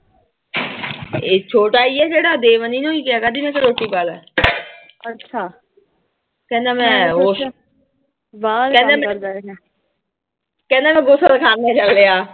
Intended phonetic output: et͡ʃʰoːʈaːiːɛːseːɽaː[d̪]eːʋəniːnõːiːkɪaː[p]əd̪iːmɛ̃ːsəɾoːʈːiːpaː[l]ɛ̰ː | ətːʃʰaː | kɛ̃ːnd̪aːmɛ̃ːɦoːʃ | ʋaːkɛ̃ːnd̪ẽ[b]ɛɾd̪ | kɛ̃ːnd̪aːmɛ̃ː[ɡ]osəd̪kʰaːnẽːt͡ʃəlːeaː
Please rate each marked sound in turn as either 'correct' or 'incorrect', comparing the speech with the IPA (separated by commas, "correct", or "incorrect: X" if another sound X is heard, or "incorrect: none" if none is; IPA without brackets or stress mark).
correct, incorrect: k, correct, incorrect: m, correct